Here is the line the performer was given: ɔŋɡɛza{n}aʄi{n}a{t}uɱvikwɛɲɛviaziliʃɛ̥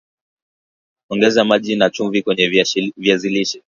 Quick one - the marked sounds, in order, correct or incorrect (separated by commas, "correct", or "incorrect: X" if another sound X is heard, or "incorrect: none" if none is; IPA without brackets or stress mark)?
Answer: incorrect: m, correct, incorrect: t͡ʃ